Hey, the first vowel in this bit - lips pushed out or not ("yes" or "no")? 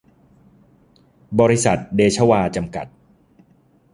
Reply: yes